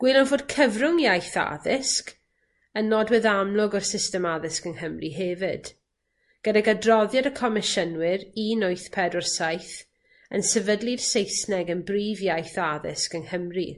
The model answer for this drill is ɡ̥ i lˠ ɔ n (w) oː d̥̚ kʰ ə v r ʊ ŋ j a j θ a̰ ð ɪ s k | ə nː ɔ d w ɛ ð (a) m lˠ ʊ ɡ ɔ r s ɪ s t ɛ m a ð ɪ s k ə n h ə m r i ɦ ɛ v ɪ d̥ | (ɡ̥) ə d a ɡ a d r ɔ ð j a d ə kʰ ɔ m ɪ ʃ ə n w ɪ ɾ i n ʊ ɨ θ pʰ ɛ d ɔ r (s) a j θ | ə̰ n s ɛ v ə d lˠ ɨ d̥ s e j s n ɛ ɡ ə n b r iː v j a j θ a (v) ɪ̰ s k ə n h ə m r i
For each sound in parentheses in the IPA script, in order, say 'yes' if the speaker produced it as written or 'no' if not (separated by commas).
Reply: no, yes, yes, yes, no